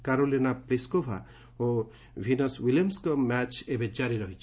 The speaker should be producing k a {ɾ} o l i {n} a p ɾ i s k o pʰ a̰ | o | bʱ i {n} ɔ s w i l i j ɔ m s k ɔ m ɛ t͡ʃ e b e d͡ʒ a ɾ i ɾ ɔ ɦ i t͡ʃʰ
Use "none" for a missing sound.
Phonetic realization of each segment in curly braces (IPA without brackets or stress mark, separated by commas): ɾ, n, n